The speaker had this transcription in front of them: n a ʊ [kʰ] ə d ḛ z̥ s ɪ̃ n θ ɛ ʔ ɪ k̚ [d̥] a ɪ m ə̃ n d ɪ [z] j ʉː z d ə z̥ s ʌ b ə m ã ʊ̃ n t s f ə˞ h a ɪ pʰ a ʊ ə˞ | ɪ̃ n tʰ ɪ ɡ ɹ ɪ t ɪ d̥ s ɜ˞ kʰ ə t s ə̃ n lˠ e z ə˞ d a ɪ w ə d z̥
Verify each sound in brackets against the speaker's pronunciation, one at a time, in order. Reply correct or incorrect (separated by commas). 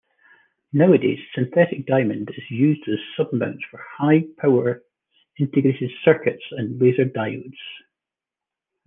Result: incorrect, correct, correct